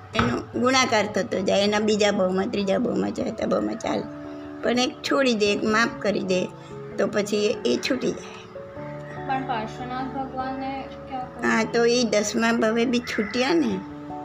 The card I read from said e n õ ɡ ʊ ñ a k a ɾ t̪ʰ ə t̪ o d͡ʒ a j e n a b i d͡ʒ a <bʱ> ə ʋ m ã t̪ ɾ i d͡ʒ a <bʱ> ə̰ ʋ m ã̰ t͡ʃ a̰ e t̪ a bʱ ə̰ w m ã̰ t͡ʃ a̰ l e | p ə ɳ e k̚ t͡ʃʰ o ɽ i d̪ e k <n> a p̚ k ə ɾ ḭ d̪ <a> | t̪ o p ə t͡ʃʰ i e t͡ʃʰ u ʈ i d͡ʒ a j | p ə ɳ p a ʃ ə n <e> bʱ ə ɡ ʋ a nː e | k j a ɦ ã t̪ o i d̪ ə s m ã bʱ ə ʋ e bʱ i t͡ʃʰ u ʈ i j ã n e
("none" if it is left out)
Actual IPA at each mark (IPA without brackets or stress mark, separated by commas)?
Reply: bʱ, bʱ, m, e, a